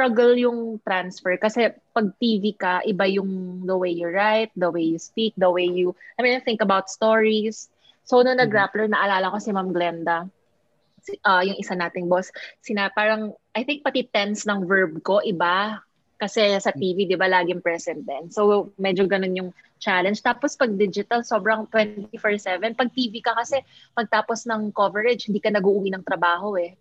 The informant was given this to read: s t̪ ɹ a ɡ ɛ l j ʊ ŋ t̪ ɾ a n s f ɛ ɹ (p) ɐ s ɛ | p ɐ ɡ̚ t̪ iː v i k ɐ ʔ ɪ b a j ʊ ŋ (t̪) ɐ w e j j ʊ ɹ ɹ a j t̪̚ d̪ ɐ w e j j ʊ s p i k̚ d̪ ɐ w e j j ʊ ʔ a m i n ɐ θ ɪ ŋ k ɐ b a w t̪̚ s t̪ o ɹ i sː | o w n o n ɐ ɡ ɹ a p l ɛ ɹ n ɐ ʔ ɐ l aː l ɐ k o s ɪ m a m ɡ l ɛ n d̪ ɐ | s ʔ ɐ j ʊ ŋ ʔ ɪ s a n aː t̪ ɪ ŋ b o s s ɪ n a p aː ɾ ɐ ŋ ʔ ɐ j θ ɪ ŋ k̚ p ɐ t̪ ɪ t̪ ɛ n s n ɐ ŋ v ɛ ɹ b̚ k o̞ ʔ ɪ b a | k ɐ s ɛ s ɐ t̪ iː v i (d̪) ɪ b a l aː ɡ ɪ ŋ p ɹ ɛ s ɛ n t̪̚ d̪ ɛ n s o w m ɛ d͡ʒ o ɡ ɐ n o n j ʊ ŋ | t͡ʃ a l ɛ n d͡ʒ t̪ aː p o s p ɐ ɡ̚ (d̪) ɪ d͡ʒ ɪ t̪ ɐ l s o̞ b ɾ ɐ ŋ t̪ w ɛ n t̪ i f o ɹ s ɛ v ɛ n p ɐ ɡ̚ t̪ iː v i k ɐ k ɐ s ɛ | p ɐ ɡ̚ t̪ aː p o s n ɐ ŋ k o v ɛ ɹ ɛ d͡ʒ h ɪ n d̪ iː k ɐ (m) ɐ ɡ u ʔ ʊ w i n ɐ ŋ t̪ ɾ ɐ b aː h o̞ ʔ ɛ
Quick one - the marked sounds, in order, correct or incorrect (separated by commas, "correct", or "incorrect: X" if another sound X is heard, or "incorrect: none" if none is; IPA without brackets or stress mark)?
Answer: incorrect: k, incorrect: d̪, correct, correct, incorrect: n